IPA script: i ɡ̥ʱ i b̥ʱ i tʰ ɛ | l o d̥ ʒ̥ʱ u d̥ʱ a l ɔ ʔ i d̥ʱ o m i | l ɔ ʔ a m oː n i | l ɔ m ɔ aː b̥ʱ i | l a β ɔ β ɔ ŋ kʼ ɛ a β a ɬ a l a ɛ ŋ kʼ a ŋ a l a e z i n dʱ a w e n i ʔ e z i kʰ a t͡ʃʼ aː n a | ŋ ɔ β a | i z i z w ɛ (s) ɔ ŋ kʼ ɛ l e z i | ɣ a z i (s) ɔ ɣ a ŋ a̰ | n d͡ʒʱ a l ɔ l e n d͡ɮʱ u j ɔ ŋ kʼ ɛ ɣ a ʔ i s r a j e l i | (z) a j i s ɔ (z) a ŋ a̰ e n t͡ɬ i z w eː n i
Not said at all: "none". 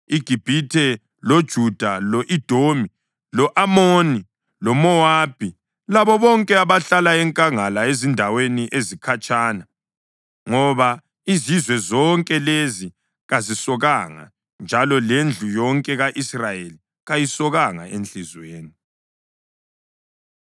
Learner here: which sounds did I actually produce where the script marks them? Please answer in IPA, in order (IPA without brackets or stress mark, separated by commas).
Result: z, s, ɣ, ɣ